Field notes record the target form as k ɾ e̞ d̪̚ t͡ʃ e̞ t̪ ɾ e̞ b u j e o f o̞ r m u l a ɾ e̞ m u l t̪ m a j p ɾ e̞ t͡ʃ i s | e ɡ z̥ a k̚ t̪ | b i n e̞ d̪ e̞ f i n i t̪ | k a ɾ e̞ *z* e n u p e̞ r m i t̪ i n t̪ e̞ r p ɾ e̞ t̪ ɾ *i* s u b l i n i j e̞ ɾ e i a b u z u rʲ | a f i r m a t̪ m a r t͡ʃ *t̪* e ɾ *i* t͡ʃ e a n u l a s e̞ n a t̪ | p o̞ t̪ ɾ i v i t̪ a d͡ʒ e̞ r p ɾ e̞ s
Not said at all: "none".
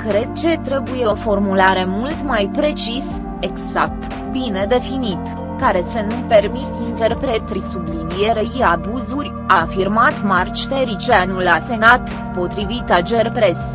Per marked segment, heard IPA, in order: s, i, t̪, i

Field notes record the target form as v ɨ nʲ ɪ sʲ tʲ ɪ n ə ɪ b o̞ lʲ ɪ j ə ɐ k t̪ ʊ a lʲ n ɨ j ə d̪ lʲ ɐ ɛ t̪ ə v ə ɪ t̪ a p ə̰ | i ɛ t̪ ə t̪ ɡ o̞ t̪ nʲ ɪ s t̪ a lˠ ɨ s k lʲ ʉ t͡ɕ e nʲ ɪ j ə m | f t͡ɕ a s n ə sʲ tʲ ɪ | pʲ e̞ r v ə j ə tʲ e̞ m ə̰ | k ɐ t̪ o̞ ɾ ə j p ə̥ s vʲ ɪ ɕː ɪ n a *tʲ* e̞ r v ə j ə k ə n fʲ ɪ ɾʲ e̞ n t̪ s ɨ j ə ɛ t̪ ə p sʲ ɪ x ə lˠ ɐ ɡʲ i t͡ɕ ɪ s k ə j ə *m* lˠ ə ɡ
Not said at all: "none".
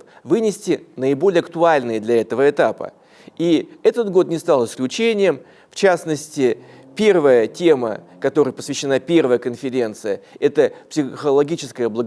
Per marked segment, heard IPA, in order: pʲ, b

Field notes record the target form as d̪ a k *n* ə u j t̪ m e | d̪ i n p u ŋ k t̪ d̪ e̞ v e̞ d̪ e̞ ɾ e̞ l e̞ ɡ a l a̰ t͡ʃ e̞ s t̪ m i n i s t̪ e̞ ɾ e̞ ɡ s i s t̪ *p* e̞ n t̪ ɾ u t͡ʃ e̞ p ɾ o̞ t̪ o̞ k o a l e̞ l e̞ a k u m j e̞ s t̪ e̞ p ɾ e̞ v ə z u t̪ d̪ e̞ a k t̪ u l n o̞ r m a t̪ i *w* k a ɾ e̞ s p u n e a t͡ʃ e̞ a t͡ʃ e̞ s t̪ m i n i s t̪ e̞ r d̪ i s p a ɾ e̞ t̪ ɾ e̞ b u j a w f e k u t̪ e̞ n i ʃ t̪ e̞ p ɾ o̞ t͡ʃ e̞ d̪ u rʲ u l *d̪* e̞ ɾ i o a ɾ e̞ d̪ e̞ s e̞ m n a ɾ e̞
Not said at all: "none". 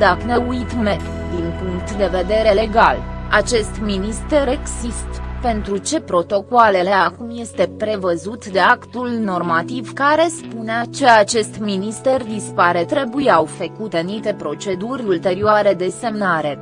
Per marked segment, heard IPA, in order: n, p, v, t̪

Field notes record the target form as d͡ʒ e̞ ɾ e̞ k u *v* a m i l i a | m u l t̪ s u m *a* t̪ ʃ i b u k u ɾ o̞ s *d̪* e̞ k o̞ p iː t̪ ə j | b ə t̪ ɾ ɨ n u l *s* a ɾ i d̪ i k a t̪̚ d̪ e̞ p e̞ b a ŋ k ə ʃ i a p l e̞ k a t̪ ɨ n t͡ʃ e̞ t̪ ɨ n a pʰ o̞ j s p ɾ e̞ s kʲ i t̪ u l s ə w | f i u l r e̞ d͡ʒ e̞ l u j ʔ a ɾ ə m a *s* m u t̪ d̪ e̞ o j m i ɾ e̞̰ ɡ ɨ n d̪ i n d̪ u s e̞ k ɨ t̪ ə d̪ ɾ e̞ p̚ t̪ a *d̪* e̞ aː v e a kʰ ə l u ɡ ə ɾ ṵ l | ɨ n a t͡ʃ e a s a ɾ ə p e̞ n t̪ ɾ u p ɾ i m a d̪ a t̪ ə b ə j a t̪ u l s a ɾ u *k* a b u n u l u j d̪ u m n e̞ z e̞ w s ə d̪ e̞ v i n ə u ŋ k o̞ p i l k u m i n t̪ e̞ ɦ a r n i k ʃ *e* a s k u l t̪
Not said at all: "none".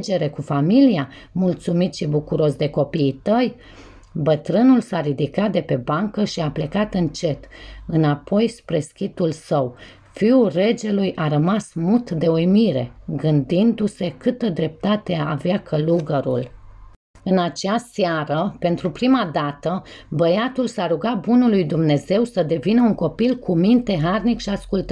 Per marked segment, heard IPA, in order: f, i, d̪, s, s, t̪, ɡ, i

